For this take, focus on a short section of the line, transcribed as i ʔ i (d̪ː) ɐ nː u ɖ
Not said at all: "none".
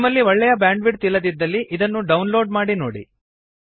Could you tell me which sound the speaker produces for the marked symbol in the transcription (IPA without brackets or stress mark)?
d̪